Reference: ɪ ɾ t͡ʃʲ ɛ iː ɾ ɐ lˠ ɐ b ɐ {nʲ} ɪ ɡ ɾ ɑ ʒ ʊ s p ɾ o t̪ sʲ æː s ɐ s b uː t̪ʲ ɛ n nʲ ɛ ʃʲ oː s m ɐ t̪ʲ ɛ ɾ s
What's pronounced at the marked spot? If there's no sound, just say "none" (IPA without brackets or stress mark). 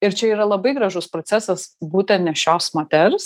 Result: none